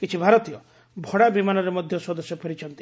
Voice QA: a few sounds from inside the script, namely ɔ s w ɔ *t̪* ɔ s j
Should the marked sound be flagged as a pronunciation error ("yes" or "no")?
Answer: yes